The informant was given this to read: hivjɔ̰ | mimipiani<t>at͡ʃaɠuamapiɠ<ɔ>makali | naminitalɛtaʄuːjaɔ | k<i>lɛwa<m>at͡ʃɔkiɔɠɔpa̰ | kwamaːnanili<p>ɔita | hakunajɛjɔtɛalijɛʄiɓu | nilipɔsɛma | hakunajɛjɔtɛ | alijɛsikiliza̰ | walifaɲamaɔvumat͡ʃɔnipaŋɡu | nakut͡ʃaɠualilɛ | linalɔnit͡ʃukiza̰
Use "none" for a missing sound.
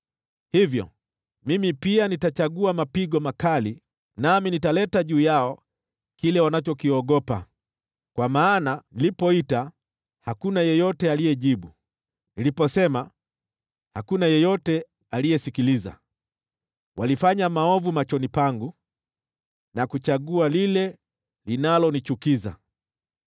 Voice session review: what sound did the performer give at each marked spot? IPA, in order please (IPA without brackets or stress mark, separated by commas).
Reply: t, ɔ, i, n, p